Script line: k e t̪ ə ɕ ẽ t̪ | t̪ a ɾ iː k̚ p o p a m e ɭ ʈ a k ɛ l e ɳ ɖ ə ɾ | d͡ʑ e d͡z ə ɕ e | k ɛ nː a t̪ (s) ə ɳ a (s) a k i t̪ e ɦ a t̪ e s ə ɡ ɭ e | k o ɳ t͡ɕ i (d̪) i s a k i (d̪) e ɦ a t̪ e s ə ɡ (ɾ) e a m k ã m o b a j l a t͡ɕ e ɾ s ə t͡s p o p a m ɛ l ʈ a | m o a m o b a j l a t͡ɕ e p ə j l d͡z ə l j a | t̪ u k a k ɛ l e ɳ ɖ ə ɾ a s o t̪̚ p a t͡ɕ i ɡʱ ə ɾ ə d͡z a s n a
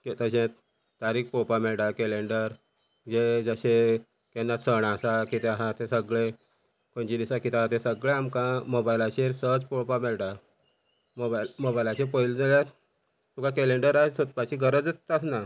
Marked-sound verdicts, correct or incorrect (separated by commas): correct, correct, correct, incorrect, incorrect